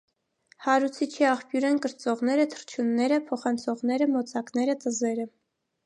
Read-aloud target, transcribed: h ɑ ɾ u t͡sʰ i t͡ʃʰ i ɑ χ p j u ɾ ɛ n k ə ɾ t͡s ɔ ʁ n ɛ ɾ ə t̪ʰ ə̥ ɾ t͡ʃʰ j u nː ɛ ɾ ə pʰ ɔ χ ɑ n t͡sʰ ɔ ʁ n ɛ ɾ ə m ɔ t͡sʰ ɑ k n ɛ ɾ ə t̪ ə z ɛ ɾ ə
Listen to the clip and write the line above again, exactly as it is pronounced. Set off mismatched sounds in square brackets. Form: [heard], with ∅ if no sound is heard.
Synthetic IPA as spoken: h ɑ ɾ u t͡sʰ i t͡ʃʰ i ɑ χ p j u ɾ ɛ n k ə ɾ t͡s ɔ ʁ n ɛ ɾ ə t̪ʰ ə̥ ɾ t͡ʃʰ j u nː ɛ ɾ ə pʰ ɔ χ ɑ n t͡sʰ ɔ ʁ n ɛ ɾ ə m ɔ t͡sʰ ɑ k n ɛ ɾ ə t̪ ə z ɛ ɾ ə